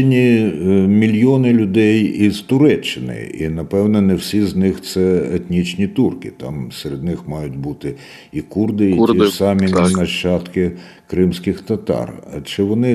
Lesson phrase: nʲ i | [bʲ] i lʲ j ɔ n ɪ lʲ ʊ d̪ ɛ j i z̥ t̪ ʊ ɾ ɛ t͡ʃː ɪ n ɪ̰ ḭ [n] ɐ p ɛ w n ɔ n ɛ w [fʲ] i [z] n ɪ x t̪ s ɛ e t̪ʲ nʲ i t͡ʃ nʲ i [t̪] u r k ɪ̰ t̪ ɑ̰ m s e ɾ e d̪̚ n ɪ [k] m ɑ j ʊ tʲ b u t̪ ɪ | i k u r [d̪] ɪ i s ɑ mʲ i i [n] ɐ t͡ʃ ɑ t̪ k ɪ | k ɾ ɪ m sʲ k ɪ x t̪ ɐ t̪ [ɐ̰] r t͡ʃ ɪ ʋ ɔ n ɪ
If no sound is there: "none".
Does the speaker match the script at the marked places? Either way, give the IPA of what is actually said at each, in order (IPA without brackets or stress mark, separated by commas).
mʲ, n, sʲ, z, t̪, x, d̪, n, ɑ̰